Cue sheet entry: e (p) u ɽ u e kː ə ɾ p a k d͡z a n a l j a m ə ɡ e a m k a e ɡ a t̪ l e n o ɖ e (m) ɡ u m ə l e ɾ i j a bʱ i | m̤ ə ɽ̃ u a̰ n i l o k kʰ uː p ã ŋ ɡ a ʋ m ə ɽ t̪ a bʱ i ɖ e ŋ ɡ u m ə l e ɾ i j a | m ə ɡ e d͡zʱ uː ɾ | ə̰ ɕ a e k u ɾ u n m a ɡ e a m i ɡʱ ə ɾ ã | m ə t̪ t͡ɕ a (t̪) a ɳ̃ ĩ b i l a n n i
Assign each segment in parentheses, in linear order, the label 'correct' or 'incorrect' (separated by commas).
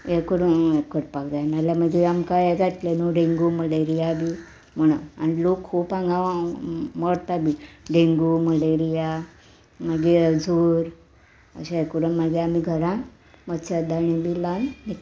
incorrect, incorrect, incorrect